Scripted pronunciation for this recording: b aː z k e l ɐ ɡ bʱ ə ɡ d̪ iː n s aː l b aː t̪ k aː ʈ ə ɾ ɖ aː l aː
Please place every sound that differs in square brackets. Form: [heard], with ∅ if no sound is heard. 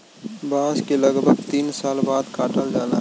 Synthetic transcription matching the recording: b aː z k e l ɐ ɡ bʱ ə ɡ [t̪] iː n s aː l b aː [d̪] k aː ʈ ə [l] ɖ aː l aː